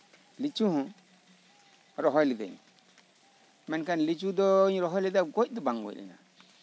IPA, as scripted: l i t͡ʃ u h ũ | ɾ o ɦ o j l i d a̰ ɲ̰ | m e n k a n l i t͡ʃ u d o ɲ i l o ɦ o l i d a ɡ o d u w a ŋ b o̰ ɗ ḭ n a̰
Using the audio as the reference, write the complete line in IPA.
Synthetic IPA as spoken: l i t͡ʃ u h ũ | ɾ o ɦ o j l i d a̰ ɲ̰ | m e n k a n l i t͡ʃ u d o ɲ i ɾ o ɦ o l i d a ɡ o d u b a ŋ ɡ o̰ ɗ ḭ n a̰